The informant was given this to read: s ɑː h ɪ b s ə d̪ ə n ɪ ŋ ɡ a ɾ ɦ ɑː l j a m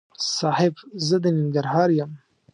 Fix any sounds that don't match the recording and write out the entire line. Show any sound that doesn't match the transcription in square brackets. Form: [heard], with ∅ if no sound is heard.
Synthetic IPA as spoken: s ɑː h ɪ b [z] ə d̪ ə n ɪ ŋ ɡ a ɾ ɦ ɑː [ɾ] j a m